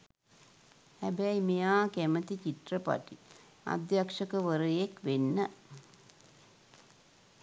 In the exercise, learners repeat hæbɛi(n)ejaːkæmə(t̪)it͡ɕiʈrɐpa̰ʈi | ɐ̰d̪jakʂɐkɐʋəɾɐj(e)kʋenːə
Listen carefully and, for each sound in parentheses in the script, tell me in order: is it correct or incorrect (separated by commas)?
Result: incorrect, correct, correct